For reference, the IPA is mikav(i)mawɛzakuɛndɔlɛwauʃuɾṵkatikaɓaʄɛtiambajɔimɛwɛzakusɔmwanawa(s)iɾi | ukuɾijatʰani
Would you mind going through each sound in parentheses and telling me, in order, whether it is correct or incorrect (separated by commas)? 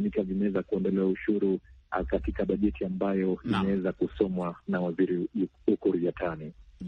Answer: correct, incorrect